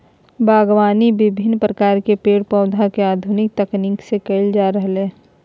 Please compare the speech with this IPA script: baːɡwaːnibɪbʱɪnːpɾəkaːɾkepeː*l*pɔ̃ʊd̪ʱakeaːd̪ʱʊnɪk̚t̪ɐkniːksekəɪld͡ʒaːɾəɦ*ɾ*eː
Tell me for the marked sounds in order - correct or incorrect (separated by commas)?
incorrect, incorrect